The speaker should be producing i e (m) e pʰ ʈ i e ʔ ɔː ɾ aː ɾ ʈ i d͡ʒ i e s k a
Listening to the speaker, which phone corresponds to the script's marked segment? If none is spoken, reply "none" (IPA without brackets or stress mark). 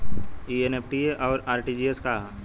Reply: n